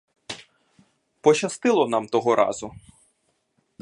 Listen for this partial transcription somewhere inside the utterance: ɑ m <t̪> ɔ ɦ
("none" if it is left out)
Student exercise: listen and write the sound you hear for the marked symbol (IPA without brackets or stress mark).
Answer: t̪